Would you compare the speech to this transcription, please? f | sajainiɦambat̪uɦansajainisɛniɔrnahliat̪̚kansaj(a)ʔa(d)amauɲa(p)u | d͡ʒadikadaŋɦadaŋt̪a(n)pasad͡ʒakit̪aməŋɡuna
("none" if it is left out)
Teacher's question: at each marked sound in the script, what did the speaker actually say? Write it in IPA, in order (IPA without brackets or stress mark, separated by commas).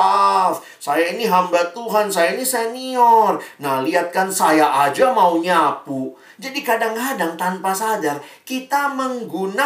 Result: a, d͡ʒ, p, n